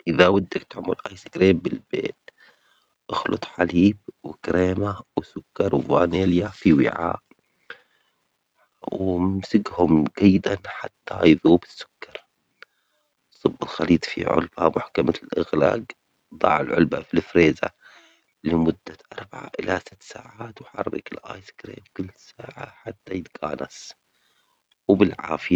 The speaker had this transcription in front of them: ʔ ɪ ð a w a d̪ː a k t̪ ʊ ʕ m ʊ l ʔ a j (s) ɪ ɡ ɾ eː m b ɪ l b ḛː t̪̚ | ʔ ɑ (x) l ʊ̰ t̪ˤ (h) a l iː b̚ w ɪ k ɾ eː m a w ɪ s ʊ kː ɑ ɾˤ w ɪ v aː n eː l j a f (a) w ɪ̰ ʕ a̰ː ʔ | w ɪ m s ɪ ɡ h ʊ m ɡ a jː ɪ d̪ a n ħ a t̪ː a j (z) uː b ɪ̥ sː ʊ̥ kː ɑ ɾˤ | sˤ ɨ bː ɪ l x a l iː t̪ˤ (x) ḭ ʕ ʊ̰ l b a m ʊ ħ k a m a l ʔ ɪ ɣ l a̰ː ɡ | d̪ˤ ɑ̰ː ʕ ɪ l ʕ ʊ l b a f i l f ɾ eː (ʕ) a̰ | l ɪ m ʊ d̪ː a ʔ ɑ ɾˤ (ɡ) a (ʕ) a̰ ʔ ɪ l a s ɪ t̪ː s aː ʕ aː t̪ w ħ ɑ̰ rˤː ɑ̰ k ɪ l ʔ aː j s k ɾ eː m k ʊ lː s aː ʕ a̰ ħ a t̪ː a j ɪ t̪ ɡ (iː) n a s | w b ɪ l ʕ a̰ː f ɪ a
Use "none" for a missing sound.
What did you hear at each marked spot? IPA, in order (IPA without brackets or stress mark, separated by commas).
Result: s, x, ħ, i, ð, f, z, b, ʕ, aː